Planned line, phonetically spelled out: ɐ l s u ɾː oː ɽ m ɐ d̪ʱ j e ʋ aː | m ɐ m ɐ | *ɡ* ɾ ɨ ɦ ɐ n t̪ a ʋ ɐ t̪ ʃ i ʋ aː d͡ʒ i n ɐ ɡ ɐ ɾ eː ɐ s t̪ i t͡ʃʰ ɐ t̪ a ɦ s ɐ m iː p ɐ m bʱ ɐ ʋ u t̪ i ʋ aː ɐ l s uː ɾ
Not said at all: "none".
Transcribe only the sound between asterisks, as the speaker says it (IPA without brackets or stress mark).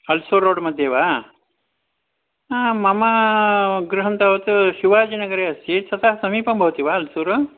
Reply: ɡ